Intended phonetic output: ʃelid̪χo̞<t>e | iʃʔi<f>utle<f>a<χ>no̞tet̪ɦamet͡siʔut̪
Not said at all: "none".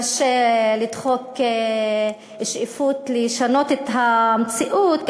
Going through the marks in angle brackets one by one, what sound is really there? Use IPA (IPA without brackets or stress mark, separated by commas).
k, f, ʃ, none